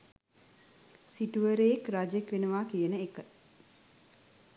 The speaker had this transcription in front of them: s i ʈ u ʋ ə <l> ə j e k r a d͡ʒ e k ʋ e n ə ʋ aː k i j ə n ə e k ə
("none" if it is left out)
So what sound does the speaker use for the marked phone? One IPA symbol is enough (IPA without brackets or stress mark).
ɾ